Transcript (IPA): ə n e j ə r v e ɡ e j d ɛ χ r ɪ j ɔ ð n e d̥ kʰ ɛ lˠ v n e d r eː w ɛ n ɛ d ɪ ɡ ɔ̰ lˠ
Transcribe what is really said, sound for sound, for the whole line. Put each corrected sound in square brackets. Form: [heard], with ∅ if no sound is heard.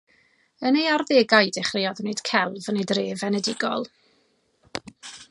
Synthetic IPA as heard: ə n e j [a] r [ð] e ɡ [a] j d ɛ χ r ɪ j ɔ ð n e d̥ kʰ ɛ lˠ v n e d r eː [v] ɛ n ɛ d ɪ ɡ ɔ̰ lˠ